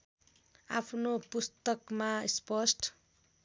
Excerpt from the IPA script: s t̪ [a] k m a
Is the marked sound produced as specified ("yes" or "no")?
no